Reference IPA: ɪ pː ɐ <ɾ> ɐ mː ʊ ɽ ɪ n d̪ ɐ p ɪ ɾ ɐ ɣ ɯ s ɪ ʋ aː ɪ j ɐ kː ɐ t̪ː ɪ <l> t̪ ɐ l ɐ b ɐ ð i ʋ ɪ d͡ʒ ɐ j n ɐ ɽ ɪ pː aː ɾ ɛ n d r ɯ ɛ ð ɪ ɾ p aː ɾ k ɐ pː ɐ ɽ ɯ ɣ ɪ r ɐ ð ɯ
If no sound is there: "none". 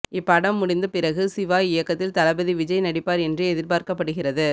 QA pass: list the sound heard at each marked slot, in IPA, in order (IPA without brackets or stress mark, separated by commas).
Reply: ɽ, l